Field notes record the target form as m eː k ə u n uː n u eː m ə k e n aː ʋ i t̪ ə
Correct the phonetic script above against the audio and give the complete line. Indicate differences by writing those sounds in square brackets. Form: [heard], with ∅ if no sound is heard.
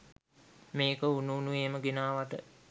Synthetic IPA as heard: m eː k ə u n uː n u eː m ə [ɡ] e n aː ʋ [a] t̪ ə